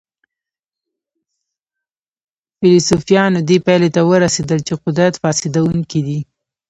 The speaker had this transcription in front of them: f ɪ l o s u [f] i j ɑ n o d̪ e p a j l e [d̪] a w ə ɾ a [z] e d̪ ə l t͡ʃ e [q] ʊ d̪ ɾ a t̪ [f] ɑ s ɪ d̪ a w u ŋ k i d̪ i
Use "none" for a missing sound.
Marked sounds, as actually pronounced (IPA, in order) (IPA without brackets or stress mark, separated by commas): f, t̪, s, q, f